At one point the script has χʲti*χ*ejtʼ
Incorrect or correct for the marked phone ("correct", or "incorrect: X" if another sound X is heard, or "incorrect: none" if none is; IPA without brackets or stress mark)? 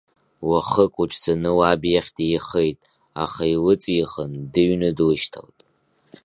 correct